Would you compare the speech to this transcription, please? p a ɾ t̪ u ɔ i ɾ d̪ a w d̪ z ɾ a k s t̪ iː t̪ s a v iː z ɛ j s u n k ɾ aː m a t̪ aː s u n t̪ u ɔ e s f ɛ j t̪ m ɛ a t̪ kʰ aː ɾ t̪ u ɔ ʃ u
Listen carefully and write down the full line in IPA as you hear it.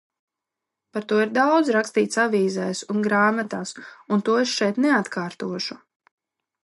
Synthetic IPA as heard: p a ɾ t̪ u ɔ i ɾ d̪ a w d̪ z ɾ a k s t̪ iː t̪ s a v iː z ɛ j s u n ɡ ɾ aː m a t̪ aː s u n t̪ u ɔ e s ʃ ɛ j t̪ n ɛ a t̪ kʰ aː ɾ t̪ u ɔ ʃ u

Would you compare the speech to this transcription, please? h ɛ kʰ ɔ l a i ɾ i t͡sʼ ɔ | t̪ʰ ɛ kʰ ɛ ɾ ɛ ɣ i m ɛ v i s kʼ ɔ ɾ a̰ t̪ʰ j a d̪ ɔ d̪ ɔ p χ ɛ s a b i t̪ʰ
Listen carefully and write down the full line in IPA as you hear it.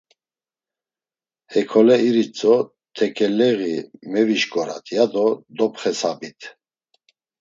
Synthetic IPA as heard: h ɛ kʰ ɔ l ɛ i ɾ i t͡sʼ ɔ | t̪ʰ ɛ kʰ ɛ l ɛ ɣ i m ɛ v i ʃ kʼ ɔ ɾ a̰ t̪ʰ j a d̪ ɔ d̪ ɔ p χ ɛ s a b i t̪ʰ

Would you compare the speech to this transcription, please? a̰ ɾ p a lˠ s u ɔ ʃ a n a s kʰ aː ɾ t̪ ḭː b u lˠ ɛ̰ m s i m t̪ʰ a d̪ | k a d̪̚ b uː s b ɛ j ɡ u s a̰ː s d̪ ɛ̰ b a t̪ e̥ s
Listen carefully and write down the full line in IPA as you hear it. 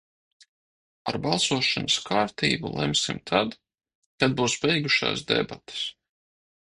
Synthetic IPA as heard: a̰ ɾ b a lˠ s u ɔ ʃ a n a s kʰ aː ɾ t̪ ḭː b u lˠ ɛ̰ m s i m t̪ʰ a d̪ | k a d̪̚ b uː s b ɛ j ɡ u ʃ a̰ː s d̪ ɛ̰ b a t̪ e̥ s

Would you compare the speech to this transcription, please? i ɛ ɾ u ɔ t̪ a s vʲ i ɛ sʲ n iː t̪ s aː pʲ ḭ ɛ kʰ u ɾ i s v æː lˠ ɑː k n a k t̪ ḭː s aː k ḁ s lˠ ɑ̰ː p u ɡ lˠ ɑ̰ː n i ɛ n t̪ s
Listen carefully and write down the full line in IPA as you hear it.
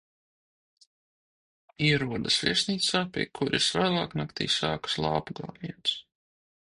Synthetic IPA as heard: i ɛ ɾ u ɔ d̪ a s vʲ i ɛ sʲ n iː t̪ s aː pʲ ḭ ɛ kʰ u ɾ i s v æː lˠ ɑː k n a k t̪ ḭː s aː k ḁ s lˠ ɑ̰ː p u ɡ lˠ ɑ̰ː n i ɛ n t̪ s

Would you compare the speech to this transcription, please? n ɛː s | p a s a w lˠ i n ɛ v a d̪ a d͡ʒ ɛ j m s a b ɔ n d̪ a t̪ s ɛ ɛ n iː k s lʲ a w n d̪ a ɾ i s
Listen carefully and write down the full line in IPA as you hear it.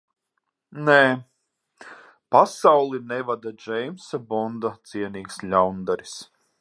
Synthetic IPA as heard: n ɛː | p a s a w lˠ i n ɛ v a d̪ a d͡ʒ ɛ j m s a b ɔ n d̪ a t̪ s i ɛ n iː k s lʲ a w n d̪ a ɾ i s

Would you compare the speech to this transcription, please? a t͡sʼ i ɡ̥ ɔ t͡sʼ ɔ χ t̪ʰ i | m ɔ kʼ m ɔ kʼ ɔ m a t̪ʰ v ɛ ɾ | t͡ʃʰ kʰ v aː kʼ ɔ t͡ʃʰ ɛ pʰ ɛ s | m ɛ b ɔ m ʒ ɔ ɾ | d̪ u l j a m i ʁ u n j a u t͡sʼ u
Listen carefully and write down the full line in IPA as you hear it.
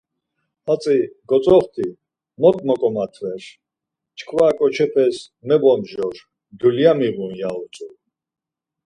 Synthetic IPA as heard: a t͡sʼ i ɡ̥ ɔ t͡sʼ ɔ χ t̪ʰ i | m ɔ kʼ m ɔ kʼ ɔ m a t̪ʰ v ɛ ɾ | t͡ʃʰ kʰ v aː kʼ ɔ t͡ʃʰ ɛ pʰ ɛ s | m ɛ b ɔ m ʒ ɔ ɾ | d̪ u l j a m i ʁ u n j a u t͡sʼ u

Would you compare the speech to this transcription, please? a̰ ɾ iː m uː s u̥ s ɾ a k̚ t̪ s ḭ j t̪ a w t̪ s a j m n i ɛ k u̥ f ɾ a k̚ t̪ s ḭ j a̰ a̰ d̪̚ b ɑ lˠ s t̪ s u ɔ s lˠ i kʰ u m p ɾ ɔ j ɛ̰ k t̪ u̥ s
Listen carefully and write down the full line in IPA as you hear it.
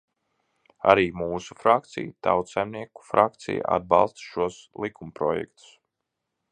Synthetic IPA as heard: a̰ ɾ iː m uː s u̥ f ɾ a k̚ t̪ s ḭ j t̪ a w t̪ s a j m n i ɛ k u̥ f ɾ a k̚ t̪ s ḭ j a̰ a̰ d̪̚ b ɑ lˠ s t̪ ʃ u ɔ s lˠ i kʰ u m p ɾ ɔ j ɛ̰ k t̪ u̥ s

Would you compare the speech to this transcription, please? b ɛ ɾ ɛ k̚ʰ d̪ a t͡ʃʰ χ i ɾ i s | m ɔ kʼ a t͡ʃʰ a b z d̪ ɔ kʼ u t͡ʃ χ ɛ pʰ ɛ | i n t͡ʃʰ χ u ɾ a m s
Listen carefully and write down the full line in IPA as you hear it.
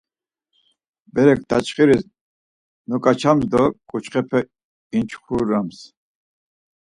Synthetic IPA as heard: b ɛ ɾ ɛ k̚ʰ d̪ a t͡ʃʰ χ i ɾ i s | n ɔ kʼ a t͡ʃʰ a m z d̪ ɔ kʼ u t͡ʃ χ ɛ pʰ ɛ | i n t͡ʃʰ χ u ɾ a m s

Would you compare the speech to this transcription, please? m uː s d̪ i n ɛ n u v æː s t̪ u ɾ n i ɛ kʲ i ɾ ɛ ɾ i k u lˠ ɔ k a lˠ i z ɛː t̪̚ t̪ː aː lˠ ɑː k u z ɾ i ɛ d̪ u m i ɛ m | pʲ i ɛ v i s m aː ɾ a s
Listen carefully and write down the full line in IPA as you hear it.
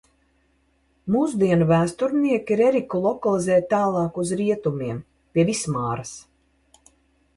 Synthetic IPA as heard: m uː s d̪ i ɛ n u v æː s t̪ u ɾ n i ɛ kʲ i ɾ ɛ ɾ i k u lˠ ɔ k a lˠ i z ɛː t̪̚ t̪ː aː lˠ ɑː k u z ɾ i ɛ t̪ u m i ɛ m | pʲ i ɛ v i s m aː ɾ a s

